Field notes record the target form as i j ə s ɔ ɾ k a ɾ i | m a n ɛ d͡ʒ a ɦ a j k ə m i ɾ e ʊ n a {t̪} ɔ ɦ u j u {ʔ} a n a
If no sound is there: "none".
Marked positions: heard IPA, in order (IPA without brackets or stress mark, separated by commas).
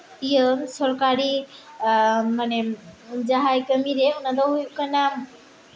d̪, k